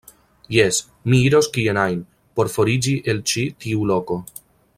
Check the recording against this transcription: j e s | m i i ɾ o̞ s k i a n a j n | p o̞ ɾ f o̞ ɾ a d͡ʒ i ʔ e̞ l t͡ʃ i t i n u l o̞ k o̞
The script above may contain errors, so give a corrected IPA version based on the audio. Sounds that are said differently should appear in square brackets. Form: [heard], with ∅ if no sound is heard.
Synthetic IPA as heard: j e s | m i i ɾ o̞ s k i [e] n a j n | p o̞ ɾ f o̞ ɾ [i] d͡ʒ i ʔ e̞ l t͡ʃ i t i [∅] u l o̞ k o̞